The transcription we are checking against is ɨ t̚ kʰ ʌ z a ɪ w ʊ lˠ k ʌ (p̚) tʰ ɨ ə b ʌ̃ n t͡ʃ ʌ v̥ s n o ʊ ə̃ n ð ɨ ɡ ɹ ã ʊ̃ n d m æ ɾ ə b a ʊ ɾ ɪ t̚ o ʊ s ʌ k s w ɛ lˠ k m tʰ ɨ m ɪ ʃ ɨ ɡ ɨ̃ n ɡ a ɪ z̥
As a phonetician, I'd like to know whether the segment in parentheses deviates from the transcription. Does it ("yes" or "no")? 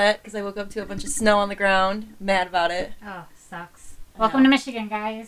no